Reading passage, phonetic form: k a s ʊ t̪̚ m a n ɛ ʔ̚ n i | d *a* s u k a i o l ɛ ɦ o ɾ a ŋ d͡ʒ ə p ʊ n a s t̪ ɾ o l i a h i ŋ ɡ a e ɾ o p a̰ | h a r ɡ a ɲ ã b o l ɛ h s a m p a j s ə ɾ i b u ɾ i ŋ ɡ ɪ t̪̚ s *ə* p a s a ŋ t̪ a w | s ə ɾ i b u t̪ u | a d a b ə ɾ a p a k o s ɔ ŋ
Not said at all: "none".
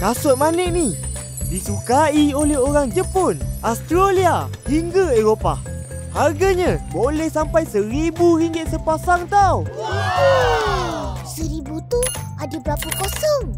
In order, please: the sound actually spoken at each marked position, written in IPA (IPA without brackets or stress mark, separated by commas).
i, ə